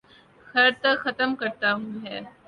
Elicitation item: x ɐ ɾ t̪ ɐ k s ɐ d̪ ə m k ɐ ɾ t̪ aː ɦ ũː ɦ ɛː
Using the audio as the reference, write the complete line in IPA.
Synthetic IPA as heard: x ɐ ɾ t̪ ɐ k x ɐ t̪ ə m k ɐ ɾ t̪ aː ɦ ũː ɦ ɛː